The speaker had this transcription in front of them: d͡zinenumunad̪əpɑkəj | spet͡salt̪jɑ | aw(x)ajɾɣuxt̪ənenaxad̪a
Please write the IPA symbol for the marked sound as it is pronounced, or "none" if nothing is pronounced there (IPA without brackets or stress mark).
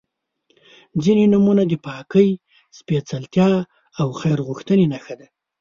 x